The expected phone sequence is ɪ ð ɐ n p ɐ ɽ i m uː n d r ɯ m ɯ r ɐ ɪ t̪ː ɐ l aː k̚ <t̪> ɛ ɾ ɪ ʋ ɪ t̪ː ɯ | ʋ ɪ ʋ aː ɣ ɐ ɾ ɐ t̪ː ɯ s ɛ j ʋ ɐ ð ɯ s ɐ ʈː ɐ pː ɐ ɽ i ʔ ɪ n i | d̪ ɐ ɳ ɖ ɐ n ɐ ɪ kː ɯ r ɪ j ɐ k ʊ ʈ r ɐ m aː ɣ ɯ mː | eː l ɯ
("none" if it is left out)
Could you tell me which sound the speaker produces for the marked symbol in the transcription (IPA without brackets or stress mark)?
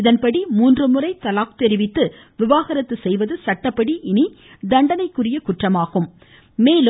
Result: t̪